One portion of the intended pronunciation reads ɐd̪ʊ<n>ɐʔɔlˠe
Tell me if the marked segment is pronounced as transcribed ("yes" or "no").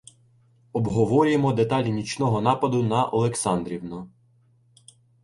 yes